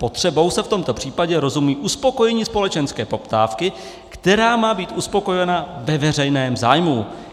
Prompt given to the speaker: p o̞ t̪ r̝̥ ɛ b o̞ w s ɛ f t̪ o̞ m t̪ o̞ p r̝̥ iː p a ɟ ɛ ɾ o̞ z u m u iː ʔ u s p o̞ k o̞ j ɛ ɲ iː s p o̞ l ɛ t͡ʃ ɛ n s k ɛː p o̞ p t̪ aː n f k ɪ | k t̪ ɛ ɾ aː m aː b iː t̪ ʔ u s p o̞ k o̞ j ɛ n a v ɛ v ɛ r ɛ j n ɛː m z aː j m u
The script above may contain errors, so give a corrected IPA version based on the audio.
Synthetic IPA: p o̞ t̪ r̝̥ ɛ b o̞ w s ɛ f t̪ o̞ m t̪ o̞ p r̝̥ iː p a ɟ ɛ ɾ o̞ z u m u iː ʔ u s p o̞ k o̞ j ɛ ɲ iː s p o̞ l ɛ t͡ʃ ɛ n s k ɛː p o̞ p t̪ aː f k ɪ | k t̪ ɛ ɾ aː m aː b iː t̪ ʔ u s p o̞ k o̞ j ɛ n a v ɛ v ɛ r ɛ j n ɛː m z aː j m u